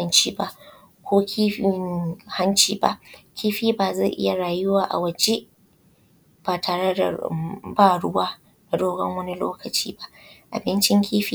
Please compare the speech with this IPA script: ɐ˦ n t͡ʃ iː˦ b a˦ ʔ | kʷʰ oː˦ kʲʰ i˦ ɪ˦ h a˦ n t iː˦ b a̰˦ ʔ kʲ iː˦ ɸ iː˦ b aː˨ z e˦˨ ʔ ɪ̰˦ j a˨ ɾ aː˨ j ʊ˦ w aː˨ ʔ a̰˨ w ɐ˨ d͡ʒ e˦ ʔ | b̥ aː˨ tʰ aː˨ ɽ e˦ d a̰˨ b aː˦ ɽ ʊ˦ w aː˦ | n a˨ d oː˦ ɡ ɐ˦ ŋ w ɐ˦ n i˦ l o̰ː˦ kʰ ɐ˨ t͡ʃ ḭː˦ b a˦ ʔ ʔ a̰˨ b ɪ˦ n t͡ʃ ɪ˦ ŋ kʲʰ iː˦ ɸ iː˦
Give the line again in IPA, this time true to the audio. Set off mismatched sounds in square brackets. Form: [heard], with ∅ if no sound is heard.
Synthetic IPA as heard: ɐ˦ n t͡ʃ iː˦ b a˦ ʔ | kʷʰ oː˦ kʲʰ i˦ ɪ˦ h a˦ n [t͡ʃ] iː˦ b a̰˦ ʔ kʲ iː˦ ɸ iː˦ b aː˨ z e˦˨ ʔ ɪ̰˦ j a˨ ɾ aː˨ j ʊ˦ w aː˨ ʔ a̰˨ w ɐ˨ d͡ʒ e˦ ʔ | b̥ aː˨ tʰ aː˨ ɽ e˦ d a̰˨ b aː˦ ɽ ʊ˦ w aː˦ | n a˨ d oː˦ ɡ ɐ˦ ŋ w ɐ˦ n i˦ l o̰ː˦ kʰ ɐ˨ t͡ʃ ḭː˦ b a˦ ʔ ʔ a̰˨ b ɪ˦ n t͡ʃ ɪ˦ ŋ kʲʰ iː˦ ɸ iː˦